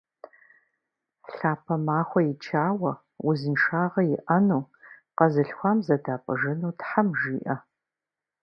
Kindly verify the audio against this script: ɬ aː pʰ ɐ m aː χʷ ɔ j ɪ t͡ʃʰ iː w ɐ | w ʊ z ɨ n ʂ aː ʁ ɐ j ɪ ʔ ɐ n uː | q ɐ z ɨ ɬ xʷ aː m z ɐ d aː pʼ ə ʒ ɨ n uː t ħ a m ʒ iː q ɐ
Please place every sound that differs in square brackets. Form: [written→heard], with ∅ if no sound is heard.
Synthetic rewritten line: ɬ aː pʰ ɐ m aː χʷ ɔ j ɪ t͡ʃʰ [iː→aː] w ɐ | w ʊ z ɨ n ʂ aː ʁ ɐ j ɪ ʔ ɐ n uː | q ɐ z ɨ ɬ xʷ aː m z ɐ d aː pʼ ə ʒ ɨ n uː t ħ a m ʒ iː [q→ʔ] ɐ